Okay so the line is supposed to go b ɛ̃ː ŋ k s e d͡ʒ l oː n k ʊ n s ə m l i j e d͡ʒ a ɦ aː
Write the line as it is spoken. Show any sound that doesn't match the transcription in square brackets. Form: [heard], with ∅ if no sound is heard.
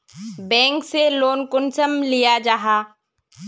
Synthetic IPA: b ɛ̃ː ŋ k s e [∅] l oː n k ʊ n s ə m l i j [a] d͡ʒ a ɦ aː